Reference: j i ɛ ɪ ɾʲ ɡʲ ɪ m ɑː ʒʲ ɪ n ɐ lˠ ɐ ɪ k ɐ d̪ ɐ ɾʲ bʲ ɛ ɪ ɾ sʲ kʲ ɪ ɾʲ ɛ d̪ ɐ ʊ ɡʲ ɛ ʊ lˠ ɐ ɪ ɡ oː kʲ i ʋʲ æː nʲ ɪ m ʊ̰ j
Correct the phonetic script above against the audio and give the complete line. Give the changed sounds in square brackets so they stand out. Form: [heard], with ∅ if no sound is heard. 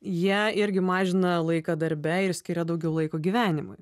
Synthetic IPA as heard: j i ɛ ɪ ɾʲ ɡʲ ɪ m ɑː ʒʲ ɪ n ɐ lˠ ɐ ɪ k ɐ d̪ ɐ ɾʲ bʲ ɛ ɪ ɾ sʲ kʲ ɪ ɾʲ ɛ d̪ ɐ ʊ ɡʲ ɛ ʊ lˠ ɐ ɪ [k] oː [ɡʲ] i ʋʲ æː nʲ ɪ m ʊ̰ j